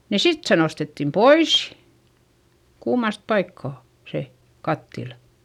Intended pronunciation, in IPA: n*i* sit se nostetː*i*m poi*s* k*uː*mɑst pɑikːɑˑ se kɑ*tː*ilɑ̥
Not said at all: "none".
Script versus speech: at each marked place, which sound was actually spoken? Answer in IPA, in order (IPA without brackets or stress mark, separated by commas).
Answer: i, i, s, uː, tː